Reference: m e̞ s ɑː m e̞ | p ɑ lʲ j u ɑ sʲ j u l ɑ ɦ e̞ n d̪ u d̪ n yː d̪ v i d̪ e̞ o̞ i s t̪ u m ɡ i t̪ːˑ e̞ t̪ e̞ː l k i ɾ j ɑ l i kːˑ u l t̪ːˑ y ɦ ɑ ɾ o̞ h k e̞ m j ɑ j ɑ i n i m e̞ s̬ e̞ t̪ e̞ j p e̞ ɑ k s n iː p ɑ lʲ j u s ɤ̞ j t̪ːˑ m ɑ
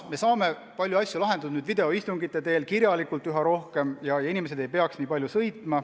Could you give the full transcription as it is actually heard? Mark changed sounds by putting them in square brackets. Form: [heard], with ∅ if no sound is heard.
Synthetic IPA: m e̞ s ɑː m e̞ | p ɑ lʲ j u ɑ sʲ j u l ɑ ɦ e̞ n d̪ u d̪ n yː d̪ v i d̪ e̞ o̞ i s t̪ u [ŋ] ɡ i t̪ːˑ e̞ t̪ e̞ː l k i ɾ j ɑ l i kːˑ u l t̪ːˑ y ɦ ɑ ɾ o̞ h k e̞ m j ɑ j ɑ i n i m e̞ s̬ e̞ [d̪] e̞ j p e̞ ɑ k s n iː p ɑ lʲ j u s ɤ̞ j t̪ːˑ m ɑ

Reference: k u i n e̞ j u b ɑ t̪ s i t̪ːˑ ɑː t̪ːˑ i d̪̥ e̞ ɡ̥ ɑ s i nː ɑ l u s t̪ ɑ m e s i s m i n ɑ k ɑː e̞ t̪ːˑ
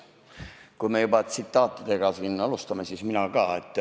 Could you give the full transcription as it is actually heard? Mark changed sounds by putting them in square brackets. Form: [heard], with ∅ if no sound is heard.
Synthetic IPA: k u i [m] e̞ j u b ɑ t̪ s i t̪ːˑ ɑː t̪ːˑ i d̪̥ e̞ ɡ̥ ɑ s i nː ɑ l u s t̪ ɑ m e s i s m i n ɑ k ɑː e̞ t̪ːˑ

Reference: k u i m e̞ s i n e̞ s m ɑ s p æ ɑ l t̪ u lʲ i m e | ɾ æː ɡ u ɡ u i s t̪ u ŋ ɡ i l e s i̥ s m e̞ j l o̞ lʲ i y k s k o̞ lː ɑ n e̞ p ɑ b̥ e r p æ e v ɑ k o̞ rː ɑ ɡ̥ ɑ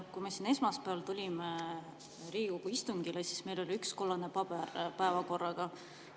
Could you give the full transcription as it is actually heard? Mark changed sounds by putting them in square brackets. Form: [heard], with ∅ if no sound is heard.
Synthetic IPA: k u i m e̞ s i n e̞ s m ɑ s p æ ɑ l t̪ u lʲ i m e | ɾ [iː] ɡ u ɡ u i s t̪ u ŋ ɡ i l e s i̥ s m e̞ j l o̞ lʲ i y k s k o̞ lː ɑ n e̞ p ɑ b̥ e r p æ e v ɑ k o̞ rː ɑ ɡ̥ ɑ

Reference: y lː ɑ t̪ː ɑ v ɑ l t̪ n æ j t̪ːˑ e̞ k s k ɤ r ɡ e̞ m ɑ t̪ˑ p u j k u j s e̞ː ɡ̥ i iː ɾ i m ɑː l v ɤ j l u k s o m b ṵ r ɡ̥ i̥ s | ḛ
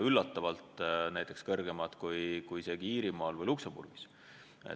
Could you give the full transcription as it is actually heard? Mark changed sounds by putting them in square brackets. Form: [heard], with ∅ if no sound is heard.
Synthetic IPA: y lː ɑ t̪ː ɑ v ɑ l t̪ n æ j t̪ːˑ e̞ k s k ɤ r ɡ e̞ m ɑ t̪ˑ [k] u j k u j s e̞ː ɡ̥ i iː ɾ i m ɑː l v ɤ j l u k s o m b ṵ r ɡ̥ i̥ s | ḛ

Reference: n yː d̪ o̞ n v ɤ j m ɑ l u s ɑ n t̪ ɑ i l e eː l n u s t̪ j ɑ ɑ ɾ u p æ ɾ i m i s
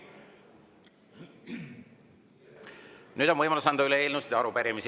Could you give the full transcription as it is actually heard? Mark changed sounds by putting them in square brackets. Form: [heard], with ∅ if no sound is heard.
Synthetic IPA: n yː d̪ o̞ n v ɤ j m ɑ l u s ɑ n [d̪] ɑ [y] l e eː l n u s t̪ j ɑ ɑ ɾ u p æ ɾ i m i s

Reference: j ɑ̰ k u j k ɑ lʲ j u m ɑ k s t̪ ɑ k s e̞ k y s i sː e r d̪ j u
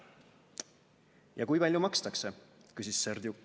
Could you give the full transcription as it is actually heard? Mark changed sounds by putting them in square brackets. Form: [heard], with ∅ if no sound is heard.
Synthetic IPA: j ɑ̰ k u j [p] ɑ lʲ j u m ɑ k s t̪ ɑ k s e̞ k y s i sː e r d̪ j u

